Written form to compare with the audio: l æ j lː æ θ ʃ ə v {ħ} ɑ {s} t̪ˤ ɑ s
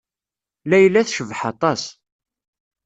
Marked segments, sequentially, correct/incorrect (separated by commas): correct, incorrect